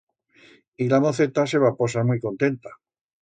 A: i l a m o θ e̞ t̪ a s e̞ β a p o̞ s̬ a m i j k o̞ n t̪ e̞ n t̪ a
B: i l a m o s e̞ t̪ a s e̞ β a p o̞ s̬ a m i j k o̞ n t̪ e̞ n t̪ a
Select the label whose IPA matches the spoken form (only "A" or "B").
A